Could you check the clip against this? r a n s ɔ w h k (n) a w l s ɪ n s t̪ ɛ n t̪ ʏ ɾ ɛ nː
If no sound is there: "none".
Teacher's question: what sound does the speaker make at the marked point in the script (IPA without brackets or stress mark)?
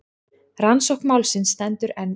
m